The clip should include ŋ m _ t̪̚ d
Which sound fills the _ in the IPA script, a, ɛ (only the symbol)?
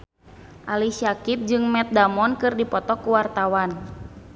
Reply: ɛ